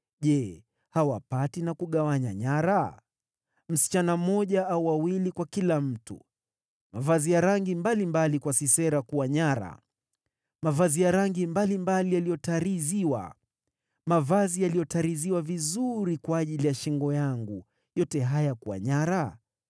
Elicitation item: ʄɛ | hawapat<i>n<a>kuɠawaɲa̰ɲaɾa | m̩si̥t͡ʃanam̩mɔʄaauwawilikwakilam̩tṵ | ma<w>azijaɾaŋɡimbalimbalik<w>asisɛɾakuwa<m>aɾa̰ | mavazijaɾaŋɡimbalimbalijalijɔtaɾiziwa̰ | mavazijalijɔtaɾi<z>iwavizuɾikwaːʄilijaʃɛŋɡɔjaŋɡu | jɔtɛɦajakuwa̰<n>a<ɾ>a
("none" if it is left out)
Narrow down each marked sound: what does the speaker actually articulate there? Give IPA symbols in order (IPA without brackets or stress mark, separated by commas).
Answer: i, a, v, w, ɲ, z, ɲ, ɾ